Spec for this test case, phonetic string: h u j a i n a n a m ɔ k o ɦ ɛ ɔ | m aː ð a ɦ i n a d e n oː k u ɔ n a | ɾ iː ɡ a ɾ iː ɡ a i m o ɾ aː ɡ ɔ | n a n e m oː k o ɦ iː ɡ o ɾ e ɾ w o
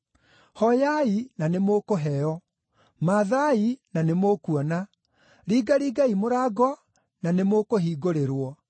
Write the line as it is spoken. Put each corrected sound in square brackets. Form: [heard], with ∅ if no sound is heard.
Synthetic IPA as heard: h [ɔ] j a i n a n [e] m [o] k o ɦ ɛ ɔ | m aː ð a [∅] i n a [n] e [m] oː k u ɔ n a | ɾ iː ɡ a ɾ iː ɡ a i m o ɾ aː ɡ ɔ | n a n e m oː k o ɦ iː ɡ o ɾ e ɾ w [ɔ]